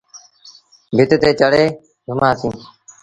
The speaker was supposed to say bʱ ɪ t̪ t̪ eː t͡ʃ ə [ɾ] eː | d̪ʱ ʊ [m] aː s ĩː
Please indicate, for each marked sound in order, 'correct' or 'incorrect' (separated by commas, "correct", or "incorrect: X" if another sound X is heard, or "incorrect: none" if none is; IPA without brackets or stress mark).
incorrect: ɽ, correct